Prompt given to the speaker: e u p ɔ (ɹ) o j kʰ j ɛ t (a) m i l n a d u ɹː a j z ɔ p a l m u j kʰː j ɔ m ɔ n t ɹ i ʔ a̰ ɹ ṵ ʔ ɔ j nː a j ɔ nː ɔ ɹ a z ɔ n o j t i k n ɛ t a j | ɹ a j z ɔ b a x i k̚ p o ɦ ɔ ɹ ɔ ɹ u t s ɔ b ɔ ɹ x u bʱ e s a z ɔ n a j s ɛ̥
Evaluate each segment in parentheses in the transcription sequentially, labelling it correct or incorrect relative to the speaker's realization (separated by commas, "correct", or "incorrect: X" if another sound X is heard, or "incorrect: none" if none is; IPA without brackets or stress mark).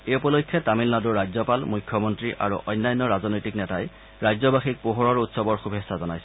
incorrect: l, correct